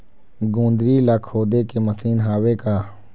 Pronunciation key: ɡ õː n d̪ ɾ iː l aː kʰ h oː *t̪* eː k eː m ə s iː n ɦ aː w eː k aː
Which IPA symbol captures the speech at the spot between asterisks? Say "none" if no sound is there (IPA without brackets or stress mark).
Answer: d̪